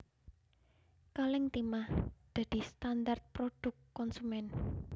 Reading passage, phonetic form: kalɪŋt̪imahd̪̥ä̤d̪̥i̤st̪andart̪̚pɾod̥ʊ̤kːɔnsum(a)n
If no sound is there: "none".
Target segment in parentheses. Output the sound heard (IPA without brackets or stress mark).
ɛ